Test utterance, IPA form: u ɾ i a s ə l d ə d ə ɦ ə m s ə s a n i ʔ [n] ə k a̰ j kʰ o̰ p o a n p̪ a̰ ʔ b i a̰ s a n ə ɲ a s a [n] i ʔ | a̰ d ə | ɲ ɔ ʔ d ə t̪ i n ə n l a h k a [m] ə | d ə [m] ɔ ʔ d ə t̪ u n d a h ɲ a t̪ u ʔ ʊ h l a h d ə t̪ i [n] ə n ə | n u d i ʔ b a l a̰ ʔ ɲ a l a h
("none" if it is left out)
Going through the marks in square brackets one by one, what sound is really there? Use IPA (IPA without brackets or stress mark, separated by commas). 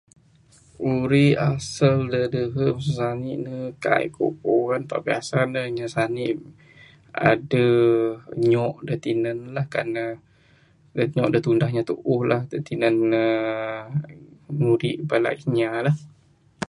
n, n, n, ɲ, n